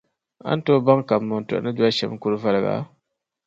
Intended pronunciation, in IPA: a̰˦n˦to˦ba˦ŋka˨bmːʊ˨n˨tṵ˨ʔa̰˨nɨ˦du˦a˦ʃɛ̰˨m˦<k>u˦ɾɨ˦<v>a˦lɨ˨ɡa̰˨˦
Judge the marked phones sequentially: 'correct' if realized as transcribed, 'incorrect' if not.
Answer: correct, correct

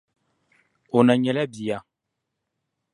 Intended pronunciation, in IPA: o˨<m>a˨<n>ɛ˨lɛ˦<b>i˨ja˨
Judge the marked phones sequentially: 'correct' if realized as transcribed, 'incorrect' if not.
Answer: incorrect, incorrect, correct

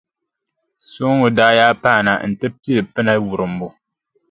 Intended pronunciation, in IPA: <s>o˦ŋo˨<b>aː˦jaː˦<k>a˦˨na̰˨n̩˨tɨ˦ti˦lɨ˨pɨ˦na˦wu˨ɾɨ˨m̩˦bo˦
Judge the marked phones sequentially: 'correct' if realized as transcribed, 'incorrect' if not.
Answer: correct, incorrect, incorrect

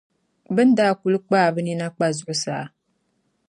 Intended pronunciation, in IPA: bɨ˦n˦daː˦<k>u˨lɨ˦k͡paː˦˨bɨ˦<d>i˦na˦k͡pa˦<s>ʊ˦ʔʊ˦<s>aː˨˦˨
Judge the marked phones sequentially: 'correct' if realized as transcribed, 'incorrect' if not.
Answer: correct, incorrect, incorrect, correct

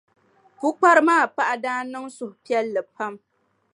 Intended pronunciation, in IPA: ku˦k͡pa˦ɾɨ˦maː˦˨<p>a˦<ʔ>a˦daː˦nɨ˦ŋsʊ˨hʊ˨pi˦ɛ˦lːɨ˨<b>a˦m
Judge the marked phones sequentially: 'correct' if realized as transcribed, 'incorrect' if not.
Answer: correct, correct, incorrect

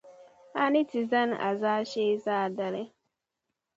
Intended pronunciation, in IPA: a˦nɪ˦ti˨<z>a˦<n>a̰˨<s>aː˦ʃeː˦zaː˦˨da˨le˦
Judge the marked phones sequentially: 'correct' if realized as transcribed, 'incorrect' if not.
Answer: correct, correct, incorrect

